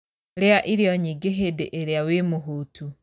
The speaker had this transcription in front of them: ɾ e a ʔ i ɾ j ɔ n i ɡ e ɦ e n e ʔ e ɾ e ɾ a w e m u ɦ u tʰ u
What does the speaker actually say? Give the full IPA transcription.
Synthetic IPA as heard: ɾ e a ʔ i ɾ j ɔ ɲ i ɡ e ɦ e d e ʔ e ɾ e a w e m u ɦ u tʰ u